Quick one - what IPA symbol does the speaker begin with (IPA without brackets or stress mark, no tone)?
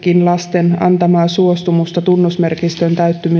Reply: k